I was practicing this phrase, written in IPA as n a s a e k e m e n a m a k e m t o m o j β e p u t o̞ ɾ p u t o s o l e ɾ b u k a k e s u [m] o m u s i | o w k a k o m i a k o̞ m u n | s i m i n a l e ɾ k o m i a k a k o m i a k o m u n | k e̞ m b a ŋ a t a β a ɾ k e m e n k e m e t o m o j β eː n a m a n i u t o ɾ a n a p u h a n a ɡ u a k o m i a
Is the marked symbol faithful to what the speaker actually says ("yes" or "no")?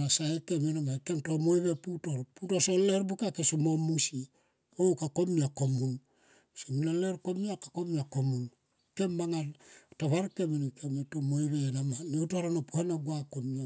yes